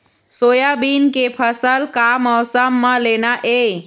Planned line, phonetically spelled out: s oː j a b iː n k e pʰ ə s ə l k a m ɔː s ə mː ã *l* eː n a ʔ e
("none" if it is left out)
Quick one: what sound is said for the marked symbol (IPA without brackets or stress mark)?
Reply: l